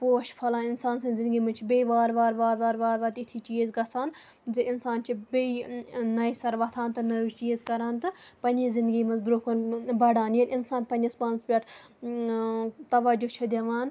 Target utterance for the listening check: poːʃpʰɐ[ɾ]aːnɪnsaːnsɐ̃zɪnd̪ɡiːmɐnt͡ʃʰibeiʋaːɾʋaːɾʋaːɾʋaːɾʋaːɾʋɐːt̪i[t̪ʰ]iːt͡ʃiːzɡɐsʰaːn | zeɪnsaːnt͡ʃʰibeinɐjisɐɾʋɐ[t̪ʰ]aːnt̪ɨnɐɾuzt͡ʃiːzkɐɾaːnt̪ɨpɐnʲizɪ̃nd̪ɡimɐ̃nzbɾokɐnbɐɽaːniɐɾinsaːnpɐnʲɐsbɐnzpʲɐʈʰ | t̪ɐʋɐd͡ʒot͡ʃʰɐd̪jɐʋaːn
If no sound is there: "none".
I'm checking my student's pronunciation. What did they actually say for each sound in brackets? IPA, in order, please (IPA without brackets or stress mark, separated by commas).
l, t̪ʰ, t̪ʰ